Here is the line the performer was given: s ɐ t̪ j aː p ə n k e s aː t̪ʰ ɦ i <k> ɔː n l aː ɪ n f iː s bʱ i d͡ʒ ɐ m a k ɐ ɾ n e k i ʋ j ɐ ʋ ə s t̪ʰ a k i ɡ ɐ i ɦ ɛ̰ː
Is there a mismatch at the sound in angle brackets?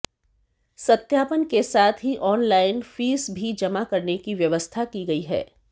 yes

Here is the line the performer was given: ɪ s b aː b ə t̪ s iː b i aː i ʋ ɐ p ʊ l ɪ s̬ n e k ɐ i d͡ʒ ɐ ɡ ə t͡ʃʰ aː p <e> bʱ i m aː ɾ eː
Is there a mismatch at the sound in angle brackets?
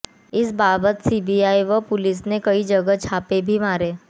no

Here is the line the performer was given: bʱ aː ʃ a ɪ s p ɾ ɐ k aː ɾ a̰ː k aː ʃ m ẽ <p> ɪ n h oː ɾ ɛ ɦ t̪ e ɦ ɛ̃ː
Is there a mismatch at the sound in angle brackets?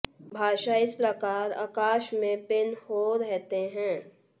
no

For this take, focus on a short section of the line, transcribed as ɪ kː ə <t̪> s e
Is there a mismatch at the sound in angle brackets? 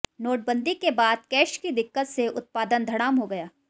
no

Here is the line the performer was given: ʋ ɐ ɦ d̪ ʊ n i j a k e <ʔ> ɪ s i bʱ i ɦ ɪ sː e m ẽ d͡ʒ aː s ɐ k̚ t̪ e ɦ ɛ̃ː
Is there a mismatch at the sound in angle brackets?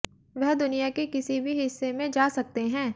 yes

